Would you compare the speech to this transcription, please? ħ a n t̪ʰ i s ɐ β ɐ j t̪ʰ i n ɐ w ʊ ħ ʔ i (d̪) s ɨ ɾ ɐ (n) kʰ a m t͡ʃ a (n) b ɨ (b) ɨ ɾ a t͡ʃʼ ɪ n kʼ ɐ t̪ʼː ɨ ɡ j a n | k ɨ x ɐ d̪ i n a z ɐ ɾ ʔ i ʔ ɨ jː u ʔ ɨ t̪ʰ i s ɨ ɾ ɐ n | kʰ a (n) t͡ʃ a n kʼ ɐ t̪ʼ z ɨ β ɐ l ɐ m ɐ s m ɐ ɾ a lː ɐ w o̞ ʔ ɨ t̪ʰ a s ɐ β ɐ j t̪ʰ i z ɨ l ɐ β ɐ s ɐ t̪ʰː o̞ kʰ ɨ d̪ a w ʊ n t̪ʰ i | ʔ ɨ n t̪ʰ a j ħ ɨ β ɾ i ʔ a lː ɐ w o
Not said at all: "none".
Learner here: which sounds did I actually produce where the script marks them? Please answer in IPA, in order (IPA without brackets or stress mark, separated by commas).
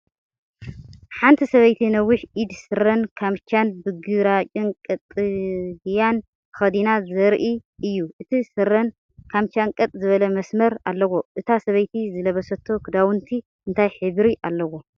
d̪, n, n, ɡ, m